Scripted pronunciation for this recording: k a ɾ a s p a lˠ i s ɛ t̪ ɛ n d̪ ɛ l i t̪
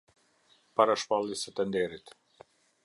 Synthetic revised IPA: p a ɾ a ʃ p a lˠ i s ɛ t̪ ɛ n d̪ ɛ ɾ i t̪